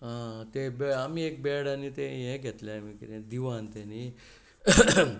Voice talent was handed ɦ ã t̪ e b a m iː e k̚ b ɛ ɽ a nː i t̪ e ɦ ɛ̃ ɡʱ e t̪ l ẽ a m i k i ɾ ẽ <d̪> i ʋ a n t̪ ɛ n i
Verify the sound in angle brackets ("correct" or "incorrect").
correct